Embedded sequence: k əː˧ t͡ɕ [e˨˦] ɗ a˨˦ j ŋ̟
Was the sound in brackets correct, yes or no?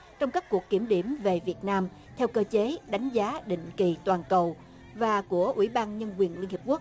yes